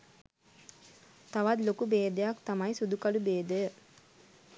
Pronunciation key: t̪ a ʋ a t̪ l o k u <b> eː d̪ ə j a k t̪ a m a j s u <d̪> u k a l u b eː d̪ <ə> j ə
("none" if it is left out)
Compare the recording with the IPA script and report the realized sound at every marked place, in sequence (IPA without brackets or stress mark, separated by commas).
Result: b, d̪, ə